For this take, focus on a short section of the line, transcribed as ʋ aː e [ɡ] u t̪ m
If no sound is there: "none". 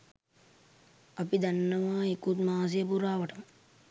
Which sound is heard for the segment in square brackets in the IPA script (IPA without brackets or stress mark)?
k